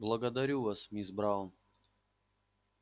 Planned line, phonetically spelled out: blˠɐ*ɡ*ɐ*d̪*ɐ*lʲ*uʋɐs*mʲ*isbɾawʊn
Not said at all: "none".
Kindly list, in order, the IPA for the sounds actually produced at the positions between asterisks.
ɡ, d̪, ɾʲ, mʲ

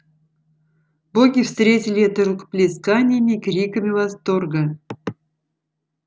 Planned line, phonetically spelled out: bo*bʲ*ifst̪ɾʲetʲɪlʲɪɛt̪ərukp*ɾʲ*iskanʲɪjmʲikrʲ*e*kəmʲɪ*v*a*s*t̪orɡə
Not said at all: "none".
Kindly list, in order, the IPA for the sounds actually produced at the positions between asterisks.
ɡʲ, lʲ, i, v, s

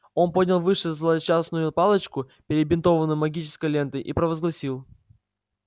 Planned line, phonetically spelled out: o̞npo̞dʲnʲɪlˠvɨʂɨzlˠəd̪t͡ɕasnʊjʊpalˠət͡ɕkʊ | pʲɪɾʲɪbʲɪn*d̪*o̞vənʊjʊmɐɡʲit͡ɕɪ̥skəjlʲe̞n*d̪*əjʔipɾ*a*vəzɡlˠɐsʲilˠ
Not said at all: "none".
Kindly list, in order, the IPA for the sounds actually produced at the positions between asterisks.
t̪, t̪, ə

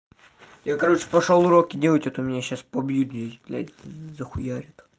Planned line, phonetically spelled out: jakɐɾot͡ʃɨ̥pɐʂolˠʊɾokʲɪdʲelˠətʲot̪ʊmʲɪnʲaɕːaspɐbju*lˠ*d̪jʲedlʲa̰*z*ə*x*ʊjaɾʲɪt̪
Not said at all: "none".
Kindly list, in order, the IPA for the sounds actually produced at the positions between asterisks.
none, z, x

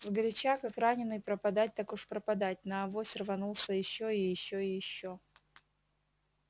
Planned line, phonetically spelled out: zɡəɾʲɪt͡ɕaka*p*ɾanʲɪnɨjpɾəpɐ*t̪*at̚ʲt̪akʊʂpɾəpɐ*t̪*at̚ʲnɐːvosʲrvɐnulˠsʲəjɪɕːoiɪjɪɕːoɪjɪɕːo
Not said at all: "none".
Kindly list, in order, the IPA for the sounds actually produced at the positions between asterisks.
k, d̪, d̪

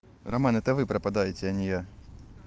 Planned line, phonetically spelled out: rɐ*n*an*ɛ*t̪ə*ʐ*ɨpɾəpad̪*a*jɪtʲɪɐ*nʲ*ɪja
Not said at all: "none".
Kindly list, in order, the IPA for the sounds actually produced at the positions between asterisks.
m, ɛ, v, a, nʲ

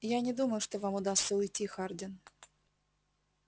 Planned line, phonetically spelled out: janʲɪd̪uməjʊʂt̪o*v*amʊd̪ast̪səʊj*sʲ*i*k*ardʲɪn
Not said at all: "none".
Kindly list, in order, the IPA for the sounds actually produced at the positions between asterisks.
v, tʲ, x

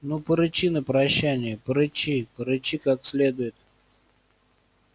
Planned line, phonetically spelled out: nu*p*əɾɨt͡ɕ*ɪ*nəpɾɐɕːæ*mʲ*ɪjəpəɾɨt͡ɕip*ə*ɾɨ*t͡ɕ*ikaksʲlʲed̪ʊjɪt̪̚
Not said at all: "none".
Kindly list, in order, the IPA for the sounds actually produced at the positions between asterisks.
p, i, nʲ, ə, t͡ɕ

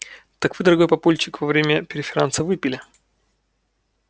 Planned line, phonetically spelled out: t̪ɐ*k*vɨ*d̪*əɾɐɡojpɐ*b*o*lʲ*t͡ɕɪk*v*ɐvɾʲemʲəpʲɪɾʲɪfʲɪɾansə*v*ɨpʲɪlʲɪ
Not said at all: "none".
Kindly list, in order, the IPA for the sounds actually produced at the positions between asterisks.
k, d̪, p, lʲ, v, v

